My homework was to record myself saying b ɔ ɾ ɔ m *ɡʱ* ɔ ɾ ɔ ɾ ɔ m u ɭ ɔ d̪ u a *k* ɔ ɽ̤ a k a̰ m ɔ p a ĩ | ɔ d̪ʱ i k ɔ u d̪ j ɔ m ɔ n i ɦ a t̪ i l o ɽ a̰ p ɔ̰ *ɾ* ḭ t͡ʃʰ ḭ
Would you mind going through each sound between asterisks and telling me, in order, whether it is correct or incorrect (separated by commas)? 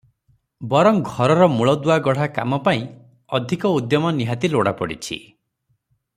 correct, incorrect, incorrect